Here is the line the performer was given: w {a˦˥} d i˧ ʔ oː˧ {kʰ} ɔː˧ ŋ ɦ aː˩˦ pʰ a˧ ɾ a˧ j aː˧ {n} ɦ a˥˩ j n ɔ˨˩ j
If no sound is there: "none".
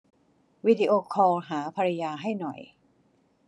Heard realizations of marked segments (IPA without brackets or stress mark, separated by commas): i˦˥, kʰ, none